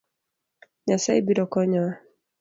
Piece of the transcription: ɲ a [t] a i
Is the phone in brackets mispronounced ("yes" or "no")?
yes